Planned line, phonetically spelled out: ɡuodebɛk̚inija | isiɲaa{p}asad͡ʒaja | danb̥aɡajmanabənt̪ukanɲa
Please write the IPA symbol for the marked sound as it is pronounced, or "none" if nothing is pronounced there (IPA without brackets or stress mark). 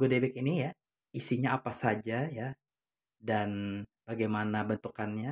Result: p